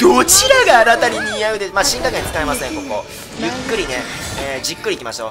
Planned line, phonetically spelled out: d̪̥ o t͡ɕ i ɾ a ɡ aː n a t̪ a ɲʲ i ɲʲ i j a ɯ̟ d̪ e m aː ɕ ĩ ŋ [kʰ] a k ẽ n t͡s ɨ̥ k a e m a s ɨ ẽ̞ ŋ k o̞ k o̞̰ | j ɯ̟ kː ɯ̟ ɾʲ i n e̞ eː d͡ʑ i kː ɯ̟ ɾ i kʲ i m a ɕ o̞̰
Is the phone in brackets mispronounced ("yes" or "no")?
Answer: yes